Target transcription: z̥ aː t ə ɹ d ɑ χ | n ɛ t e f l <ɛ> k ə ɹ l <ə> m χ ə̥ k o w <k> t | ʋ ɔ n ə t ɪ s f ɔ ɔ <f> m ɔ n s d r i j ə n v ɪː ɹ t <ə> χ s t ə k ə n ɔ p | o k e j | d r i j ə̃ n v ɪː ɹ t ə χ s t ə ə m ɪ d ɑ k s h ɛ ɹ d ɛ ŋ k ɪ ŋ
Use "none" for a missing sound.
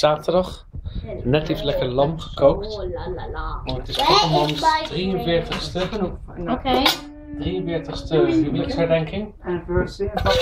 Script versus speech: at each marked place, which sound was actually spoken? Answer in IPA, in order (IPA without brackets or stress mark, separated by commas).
ɛ, ɑ, k, none, ə